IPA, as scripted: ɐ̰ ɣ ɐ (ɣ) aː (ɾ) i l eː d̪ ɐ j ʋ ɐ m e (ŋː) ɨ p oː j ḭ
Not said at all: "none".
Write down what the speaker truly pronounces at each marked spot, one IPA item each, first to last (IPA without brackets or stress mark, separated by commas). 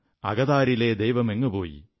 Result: ð, ɾ, ŋː